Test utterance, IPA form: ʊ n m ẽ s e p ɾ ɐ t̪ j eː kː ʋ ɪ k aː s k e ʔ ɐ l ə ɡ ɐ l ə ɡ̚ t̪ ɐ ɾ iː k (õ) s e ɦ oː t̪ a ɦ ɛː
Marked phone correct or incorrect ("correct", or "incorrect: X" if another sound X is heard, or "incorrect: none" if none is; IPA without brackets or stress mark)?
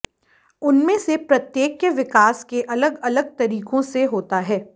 correct